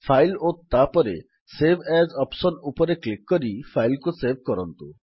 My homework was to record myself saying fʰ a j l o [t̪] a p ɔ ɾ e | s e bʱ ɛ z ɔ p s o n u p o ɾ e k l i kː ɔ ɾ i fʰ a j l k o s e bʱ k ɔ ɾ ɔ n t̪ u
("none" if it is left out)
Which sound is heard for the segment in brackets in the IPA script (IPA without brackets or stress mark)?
t̪